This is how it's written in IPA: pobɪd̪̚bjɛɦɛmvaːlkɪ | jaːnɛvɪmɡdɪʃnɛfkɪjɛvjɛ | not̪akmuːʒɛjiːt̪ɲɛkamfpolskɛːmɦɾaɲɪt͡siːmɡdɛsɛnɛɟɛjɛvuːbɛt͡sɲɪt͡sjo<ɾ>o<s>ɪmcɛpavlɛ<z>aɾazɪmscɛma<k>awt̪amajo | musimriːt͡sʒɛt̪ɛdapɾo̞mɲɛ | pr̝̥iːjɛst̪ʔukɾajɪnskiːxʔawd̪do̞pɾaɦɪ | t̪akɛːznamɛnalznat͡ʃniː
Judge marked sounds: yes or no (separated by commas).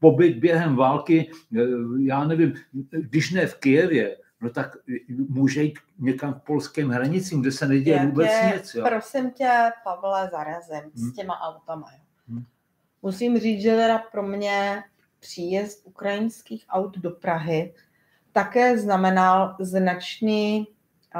yes, yes, yes, no